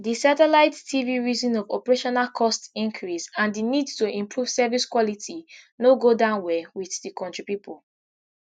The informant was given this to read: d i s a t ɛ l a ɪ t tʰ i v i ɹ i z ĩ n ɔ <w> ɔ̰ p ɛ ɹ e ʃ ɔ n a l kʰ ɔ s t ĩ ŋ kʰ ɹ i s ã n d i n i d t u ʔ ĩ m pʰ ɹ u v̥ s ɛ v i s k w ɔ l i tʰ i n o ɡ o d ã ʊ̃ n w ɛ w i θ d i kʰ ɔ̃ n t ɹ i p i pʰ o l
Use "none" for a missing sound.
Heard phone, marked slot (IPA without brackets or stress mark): v